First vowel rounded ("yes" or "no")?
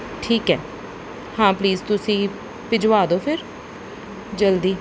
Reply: no